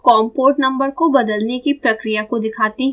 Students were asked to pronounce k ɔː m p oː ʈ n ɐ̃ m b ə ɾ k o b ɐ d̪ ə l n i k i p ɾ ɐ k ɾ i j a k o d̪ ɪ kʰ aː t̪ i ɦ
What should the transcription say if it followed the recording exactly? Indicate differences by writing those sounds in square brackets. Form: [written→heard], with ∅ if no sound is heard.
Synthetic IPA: k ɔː m p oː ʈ n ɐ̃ m b ə ɾ k o b ɐ d̪ ə l n [i→e] k i p ɾ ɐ k ɾ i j a k o d̪ ɪ kʰ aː t̪ i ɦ